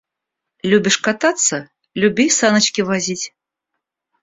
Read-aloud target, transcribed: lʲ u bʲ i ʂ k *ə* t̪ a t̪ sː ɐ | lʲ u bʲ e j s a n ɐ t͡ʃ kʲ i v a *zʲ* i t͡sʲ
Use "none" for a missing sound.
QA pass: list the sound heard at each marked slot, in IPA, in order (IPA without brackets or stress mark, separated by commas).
a, zʲ